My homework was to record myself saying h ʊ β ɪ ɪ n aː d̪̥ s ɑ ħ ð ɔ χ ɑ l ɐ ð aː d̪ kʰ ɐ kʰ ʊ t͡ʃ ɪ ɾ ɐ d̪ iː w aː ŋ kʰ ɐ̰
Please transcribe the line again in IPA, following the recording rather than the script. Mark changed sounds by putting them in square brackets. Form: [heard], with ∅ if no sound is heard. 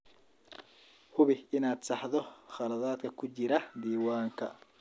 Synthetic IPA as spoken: h ʊ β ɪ ɪ n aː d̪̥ s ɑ ħ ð ɔ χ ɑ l ɐ ð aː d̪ kʰ ɐ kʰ ʊ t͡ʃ ɪ ɾ ɐ d̪ iː w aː ŋ kʰ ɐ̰